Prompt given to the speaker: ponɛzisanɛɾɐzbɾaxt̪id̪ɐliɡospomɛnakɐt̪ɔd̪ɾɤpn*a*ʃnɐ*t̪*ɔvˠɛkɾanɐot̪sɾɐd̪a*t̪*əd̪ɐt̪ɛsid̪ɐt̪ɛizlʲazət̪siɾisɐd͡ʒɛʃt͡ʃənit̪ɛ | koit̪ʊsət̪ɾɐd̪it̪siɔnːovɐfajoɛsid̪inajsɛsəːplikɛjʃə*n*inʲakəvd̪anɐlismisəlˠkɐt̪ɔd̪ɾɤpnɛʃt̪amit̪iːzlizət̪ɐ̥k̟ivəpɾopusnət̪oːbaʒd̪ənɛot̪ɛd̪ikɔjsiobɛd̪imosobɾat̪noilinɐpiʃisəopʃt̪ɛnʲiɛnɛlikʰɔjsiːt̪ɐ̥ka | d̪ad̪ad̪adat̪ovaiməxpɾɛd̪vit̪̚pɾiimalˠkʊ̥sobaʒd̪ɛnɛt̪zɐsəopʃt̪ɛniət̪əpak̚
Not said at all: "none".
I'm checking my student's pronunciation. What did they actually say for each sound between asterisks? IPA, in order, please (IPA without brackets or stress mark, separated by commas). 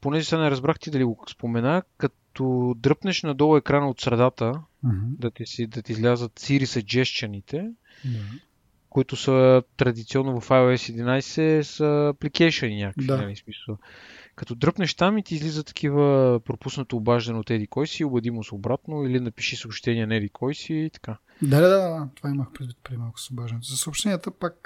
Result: ɛ, d̪, t̪, n